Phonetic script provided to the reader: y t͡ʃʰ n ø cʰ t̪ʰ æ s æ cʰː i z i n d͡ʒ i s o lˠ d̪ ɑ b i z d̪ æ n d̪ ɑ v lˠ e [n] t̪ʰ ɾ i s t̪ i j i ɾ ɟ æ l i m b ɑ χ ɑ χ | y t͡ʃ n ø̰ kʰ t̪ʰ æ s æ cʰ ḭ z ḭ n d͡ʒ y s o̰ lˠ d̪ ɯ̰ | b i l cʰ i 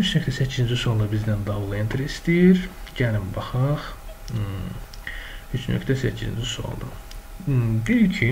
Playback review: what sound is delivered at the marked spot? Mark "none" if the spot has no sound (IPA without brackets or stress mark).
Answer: n